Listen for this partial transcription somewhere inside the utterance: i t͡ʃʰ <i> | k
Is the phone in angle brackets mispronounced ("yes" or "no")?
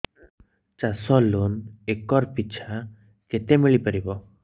yes